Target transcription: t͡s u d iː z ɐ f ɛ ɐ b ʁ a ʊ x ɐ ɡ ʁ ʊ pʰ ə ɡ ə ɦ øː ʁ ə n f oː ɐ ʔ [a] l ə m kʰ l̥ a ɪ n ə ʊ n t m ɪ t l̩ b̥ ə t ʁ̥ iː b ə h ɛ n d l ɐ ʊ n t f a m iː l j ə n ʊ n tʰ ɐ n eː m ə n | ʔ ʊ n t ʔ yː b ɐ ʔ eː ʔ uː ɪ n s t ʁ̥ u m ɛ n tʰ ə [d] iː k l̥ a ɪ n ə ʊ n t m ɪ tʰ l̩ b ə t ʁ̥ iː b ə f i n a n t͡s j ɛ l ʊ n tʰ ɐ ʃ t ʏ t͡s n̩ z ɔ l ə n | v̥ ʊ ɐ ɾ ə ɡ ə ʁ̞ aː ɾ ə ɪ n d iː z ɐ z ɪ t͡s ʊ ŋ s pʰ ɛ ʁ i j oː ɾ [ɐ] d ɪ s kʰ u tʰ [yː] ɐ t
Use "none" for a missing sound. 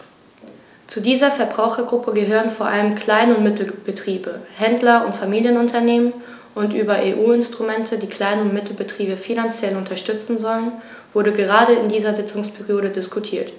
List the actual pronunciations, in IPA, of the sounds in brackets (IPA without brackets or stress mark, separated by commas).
a, d, ə, iː